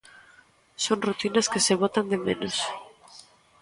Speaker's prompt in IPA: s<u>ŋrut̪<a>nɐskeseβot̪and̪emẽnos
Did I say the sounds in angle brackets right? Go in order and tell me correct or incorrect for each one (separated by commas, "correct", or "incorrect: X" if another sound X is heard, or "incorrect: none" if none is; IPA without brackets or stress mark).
incorrect: o, incorrect: i